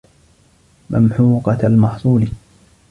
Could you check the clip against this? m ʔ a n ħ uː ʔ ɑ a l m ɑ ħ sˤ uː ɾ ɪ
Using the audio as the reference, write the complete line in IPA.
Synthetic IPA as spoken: m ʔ a m ħ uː q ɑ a l m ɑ ħ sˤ uː l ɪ

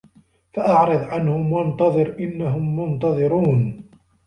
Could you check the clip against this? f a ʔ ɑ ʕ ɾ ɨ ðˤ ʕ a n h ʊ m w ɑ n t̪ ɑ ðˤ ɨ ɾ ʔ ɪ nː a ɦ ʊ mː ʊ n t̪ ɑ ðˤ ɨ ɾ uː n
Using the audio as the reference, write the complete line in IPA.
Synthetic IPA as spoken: f a ʔ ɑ ʕ ɾ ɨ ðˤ ʕ a n h ʊ m w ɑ n t̪ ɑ ðˤ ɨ ɾ ʔ ɪ nː a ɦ ʊ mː ʊ n t̪ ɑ ðˤ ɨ ɾ uː n

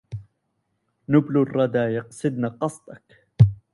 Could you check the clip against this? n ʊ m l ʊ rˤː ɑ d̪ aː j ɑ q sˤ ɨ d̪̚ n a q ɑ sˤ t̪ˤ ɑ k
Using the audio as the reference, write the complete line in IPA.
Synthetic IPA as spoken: n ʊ b l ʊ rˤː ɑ d̪ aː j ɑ q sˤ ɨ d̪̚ n a q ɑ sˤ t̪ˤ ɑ k

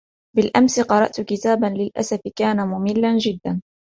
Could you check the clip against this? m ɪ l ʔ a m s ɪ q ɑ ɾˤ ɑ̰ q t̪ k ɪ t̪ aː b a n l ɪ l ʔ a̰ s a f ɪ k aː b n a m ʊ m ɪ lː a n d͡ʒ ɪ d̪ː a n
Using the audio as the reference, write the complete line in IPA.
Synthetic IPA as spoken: b ɪ l ʔ a m s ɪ q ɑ ɾˤ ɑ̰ ʔ t̪ k ɪ t̪ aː b a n l ɪ l ʔ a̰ s a f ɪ k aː n a m ʊ m ɪ lː a n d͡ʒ ɪ d̪ː a n

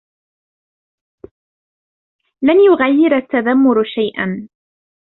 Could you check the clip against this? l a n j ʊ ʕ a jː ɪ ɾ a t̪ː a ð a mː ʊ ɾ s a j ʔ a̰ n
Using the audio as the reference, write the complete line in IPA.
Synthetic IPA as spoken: l a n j ʊ ɣ a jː ɪ ɾ a t̪ː a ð a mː ʊ ɾ ʃ a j ʔ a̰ n

